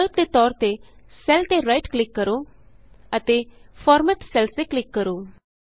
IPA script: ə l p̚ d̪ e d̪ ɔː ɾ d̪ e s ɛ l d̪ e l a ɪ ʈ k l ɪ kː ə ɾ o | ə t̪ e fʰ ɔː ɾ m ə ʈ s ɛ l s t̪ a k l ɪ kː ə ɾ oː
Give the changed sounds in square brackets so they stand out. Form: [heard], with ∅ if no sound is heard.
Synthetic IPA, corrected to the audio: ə l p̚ d̪ e [t̪] ɔː ɾ [t̪] e s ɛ l [t̪] e [ɾ] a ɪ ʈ k l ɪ kː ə ɾ o | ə t̪ e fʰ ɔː ɾ m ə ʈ s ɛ l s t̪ [e] k l ɪ kː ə ɾ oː

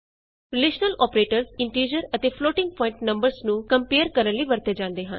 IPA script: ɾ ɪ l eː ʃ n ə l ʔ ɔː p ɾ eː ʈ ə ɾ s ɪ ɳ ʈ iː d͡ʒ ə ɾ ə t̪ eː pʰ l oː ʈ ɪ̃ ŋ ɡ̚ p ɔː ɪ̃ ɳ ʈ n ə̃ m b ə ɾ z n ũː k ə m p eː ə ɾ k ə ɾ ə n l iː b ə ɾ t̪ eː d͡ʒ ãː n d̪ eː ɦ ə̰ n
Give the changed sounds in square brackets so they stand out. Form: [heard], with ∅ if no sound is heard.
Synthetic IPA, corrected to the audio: ɾ ɪ l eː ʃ n ə l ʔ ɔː p ɾ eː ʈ ə ɾ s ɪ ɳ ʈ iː d͡ʒ ə ɾ ə t̪ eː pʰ l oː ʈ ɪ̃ ŋ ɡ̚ p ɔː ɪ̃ ɳ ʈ n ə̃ m b ə ɾ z n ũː k ə m p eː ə ɾ k ə ɾ ə n l iː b ə ɾ t̪ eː d͡ʒ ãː n d̪ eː ɦ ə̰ n

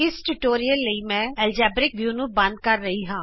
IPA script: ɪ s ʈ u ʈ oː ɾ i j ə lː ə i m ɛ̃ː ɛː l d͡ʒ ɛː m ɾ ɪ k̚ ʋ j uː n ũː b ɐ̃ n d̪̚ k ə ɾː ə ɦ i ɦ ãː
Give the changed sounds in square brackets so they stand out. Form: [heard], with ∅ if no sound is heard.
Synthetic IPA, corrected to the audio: ɪ s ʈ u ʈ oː ɾ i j ə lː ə i m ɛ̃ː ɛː l d͡ʒ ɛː [b] ɾ ɪ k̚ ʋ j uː n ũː b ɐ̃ n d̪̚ k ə ɾː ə ɦ i ɦ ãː

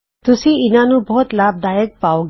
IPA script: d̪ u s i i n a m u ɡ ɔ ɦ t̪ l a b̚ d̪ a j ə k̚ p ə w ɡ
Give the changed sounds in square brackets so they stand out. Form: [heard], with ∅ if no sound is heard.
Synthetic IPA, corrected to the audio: [t̪] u s i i n a [n] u [b] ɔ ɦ t̪ l a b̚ d̪ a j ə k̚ p [a] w ɡ

